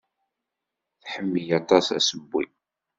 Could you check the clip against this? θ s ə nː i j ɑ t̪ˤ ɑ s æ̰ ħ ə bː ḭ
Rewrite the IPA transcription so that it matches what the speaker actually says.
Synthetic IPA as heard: θ ħ ə mː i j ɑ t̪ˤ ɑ s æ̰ s ə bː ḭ